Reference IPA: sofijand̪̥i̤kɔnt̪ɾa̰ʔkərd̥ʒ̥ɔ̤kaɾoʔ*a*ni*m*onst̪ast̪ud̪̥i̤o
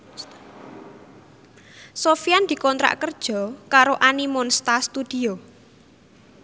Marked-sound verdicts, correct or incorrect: correct, correct

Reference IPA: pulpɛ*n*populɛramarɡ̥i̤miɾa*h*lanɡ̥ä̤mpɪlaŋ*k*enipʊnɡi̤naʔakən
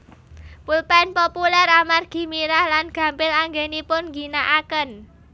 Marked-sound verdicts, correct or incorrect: correct, correct, incorrect

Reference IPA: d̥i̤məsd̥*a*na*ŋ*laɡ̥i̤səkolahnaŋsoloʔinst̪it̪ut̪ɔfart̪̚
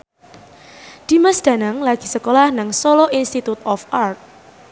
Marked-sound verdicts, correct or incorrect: correct, correct

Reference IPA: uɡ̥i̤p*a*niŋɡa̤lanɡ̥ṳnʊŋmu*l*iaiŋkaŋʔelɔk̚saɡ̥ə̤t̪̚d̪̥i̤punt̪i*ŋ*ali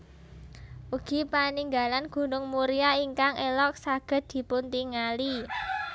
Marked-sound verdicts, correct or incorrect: correct, incorrect, correct

